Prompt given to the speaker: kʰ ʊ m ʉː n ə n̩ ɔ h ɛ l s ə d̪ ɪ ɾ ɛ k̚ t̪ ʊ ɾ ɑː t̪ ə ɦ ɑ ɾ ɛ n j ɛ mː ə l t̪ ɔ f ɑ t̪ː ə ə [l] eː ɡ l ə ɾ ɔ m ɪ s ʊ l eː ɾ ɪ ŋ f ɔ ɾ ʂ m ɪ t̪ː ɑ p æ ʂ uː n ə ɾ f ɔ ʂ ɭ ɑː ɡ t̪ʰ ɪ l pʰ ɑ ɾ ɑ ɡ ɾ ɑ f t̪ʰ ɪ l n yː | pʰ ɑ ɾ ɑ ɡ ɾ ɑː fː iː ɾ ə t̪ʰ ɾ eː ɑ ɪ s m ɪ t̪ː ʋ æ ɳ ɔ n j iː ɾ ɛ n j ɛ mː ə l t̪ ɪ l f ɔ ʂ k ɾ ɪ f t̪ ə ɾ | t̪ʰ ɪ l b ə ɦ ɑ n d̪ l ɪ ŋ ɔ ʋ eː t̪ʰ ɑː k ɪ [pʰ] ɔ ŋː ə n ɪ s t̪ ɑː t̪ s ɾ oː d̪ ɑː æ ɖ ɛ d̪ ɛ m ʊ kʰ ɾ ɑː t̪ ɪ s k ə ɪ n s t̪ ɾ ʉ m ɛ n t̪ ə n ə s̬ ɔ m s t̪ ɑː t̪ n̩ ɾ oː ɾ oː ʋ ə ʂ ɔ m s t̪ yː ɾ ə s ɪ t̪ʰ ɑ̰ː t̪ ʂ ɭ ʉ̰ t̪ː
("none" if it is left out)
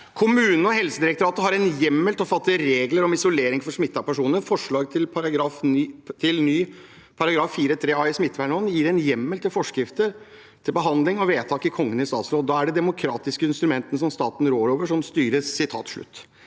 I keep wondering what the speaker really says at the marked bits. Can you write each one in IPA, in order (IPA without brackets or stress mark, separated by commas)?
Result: ɾ, kʰ